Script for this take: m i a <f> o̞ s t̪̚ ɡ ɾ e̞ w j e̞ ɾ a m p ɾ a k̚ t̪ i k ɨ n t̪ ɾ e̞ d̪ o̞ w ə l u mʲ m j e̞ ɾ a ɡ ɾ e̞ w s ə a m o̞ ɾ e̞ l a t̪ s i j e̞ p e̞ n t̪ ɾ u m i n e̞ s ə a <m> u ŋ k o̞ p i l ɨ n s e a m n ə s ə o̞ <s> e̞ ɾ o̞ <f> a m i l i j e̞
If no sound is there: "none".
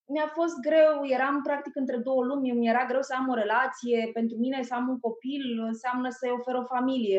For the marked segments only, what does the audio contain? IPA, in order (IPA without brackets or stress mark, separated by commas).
f, m, f, f